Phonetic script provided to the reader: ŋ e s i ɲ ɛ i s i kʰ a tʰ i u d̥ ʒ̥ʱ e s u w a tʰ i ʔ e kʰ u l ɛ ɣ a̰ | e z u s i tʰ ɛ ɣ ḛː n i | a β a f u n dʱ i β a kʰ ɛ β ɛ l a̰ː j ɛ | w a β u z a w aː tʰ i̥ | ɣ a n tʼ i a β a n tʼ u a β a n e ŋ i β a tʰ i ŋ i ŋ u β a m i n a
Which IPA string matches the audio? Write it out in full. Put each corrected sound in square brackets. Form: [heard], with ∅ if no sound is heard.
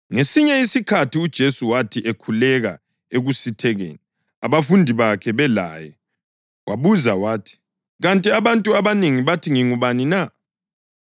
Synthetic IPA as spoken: ŋ e s i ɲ ɛ i s i kʰ a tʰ i u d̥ ʒ̥ʱ e s u w a tʰ i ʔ e kʰ u l ɛ ɣ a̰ | e [ɣ] u s i tʰ ɛ ɣ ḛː n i | a β a f u n dʱ i β a kʰ ɛ β ɛ l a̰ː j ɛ | w a β u z a w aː tʰ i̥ | ɣ a n tʼ i a β a n tʼ u a β a n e ŋ i β a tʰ i ŋ i ŋ u β a [n] i n a